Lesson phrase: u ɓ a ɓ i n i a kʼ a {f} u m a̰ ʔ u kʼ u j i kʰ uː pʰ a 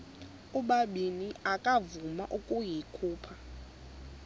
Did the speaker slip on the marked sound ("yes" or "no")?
yes